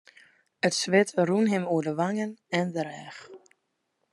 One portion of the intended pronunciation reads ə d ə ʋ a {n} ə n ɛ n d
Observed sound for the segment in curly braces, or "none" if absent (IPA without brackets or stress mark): ŋ